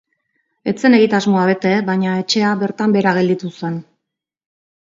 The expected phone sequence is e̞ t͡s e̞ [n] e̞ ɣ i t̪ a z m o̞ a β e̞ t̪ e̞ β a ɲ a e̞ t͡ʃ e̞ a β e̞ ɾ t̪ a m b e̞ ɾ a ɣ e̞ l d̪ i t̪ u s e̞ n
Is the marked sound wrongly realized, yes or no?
no